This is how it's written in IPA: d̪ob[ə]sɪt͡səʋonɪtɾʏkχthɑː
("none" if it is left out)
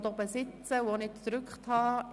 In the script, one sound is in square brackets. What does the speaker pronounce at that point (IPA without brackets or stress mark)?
ə